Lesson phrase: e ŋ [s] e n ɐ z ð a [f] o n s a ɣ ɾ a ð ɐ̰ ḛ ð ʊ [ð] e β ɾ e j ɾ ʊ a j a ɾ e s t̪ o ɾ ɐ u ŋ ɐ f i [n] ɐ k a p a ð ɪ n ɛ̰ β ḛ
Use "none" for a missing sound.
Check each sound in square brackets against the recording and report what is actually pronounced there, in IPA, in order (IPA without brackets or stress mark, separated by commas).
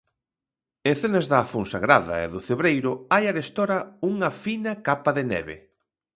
θ, f, θ, n